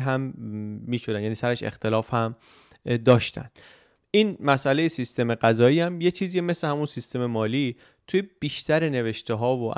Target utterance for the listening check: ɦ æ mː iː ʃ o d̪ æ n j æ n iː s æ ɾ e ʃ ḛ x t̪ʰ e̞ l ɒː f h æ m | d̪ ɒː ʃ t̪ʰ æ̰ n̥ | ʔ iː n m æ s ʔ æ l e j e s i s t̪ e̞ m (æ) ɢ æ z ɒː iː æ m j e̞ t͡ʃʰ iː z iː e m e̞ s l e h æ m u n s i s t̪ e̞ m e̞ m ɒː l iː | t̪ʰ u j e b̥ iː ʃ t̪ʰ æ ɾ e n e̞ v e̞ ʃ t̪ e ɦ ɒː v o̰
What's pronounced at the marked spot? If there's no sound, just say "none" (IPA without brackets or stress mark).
e